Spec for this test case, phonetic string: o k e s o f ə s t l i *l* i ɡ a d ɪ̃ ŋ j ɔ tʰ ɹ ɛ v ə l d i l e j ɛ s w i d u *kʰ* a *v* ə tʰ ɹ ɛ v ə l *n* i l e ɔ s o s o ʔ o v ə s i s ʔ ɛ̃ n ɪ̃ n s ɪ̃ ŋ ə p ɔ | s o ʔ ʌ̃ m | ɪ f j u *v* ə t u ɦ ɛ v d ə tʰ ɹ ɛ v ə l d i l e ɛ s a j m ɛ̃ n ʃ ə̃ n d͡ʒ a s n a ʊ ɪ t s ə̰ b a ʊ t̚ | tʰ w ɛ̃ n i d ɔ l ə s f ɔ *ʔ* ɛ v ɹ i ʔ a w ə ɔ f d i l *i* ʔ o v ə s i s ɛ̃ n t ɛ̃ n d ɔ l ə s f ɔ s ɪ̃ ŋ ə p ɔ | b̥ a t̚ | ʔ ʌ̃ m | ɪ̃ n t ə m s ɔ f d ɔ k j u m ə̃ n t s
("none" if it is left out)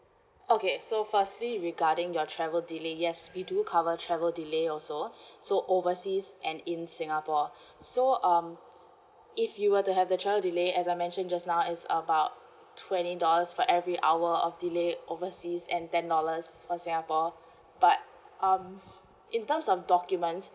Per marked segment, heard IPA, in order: ɹ, kʰ, v, d, w, ʔ, e

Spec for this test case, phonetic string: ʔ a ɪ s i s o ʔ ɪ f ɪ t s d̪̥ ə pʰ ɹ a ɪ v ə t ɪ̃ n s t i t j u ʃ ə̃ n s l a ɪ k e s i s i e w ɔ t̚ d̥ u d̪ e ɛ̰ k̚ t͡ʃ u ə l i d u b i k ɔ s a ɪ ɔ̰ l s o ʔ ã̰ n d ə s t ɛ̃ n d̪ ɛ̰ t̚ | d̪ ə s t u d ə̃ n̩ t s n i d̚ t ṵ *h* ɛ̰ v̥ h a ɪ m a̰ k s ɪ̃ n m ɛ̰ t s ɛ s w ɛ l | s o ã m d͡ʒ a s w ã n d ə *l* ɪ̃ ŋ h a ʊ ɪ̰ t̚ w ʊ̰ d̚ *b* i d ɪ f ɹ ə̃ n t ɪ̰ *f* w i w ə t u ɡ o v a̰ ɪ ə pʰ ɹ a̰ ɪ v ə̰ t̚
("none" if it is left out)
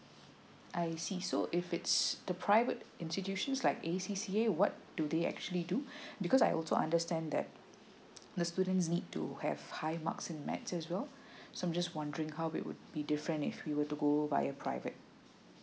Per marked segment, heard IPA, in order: h, ɹ, b, f

